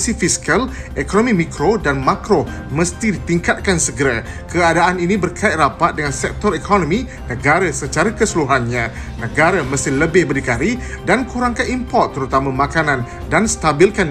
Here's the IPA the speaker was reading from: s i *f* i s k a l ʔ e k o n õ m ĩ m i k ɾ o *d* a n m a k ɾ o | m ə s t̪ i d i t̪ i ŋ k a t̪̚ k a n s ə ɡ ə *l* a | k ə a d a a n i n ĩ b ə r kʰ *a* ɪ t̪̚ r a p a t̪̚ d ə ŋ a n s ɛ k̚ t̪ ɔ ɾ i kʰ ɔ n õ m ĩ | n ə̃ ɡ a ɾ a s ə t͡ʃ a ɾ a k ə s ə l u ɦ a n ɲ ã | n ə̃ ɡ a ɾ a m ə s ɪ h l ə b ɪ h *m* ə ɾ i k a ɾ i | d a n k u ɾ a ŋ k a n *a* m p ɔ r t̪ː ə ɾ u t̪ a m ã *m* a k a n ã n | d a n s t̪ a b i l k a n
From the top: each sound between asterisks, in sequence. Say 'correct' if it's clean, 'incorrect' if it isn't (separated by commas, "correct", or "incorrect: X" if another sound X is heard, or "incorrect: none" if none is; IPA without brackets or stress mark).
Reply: correct, correct, incorrect: ɾ, correct, incorrect: b, incorrect: i, correct